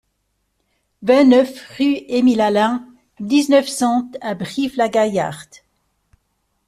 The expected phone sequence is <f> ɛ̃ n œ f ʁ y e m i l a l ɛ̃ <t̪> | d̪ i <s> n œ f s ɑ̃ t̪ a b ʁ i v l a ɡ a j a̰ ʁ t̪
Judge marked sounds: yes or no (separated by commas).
no, no, no